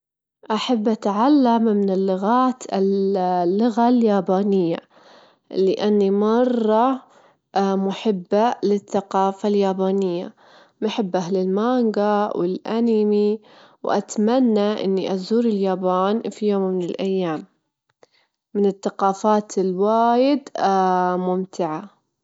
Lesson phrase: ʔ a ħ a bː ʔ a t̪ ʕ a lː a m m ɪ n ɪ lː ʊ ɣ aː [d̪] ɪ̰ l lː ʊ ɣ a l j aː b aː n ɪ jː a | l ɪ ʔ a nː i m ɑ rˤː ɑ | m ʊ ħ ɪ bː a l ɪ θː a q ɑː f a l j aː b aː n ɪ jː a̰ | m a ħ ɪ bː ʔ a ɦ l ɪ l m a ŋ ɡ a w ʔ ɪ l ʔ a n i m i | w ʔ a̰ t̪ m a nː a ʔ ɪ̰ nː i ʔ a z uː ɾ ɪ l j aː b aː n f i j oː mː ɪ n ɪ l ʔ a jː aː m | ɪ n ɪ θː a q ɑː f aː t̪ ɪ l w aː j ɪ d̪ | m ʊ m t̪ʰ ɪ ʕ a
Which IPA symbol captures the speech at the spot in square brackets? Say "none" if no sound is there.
t̪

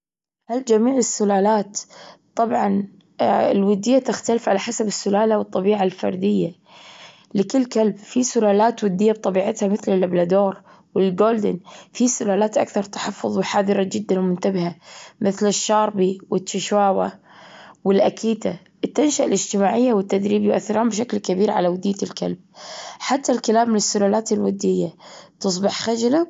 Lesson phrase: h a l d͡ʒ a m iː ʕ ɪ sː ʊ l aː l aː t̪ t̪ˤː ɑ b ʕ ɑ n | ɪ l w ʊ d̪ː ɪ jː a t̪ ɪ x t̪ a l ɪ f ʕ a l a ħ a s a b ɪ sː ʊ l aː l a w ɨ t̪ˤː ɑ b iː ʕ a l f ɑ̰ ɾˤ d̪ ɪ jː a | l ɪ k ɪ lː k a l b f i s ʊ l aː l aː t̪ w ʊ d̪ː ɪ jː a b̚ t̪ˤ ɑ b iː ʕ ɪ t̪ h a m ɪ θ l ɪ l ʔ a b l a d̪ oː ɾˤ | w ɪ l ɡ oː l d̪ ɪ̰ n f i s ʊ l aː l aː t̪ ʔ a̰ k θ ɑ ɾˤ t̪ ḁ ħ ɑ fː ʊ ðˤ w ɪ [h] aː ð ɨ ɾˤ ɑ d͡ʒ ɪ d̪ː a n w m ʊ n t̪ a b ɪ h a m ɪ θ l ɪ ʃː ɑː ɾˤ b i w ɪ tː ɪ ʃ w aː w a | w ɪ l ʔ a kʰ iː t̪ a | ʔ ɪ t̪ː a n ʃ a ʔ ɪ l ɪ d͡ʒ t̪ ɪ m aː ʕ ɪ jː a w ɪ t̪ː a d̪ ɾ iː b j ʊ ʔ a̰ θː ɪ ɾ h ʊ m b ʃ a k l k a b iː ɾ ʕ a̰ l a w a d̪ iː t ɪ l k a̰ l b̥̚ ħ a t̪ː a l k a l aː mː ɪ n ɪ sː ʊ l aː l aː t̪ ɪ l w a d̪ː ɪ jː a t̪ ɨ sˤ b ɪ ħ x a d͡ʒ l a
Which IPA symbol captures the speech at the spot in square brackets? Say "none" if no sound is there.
ħ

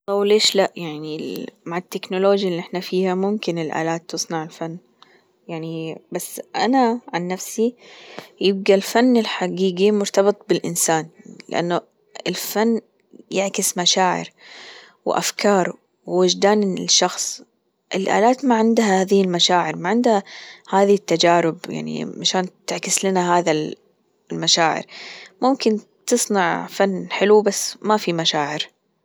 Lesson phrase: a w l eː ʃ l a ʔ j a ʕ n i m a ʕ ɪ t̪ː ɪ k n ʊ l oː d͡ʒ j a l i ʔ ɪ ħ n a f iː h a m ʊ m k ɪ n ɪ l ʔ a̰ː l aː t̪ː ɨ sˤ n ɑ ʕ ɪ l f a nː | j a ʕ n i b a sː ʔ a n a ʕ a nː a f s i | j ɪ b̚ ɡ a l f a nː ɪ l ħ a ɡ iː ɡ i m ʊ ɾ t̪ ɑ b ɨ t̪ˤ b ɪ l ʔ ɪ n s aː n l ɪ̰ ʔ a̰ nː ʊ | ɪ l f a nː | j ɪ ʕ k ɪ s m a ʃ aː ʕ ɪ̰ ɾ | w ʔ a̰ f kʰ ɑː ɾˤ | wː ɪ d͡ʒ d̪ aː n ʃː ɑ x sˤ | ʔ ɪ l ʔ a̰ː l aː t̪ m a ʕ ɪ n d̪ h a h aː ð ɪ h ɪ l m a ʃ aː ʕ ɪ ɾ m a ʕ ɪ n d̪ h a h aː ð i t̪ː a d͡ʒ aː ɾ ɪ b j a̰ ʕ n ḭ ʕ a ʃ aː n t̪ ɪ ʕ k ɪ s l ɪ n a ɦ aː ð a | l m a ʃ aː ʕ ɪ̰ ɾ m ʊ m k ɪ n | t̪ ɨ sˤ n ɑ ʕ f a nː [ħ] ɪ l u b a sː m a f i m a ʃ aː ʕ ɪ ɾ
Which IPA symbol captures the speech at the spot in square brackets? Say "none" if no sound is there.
ħ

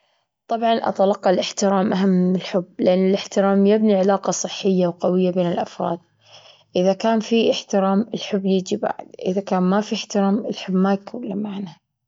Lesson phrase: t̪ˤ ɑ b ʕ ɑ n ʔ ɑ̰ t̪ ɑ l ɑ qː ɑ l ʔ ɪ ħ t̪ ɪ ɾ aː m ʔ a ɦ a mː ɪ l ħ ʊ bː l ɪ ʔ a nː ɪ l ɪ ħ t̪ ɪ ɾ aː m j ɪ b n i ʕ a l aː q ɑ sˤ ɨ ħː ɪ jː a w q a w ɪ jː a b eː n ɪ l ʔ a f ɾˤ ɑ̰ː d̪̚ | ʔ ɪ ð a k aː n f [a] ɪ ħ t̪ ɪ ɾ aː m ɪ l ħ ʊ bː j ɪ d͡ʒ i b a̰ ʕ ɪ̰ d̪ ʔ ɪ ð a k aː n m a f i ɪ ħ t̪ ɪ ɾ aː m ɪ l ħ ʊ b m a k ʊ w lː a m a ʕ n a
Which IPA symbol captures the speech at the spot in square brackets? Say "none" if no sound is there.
i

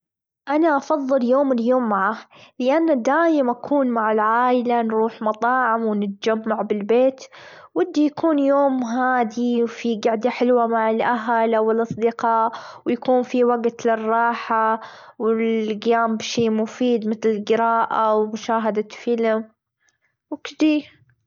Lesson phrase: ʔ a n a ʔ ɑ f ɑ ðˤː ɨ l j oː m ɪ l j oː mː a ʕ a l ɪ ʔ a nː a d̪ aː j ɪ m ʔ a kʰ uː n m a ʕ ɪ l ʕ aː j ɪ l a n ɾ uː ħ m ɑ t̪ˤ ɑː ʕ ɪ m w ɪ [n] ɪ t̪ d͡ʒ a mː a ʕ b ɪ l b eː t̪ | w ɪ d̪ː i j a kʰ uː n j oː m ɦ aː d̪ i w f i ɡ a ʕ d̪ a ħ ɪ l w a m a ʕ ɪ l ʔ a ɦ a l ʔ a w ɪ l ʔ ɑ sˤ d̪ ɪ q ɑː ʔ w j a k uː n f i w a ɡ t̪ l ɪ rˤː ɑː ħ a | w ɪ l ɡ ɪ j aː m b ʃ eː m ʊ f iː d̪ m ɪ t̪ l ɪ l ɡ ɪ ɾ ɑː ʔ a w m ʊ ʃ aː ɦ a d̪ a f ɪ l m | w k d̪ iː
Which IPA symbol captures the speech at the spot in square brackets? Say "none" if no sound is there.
n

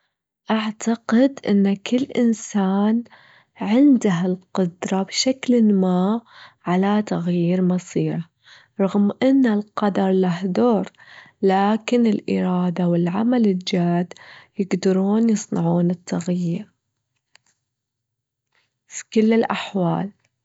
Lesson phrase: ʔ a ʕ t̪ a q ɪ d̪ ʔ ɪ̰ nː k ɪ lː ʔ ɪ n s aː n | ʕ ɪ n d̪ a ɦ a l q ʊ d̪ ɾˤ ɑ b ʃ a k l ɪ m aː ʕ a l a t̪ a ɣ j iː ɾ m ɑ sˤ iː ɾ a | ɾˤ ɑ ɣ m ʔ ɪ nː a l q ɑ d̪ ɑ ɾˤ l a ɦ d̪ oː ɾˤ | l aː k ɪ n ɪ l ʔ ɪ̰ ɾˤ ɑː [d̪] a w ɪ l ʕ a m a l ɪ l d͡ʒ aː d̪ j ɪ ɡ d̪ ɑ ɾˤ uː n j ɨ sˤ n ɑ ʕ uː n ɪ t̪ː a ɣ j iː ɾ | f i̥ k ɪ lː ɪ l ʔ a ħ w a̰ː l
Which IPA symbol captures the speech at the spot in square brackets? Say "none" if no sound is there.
d̪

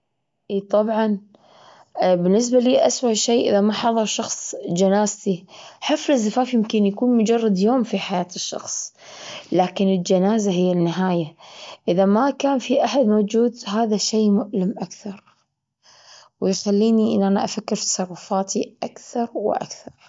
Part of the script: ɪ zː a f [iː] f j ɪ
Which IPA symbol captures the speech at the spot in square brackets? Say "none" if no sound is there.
aː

